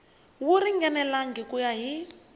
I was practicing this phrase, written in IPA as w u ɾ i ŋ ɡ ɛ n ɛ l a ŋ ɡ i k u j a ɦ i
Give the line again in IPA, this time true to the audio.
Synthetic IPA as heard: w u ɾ i ŋ ɡ ɛ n ɛ l a ŋ ɡ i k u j a ɦ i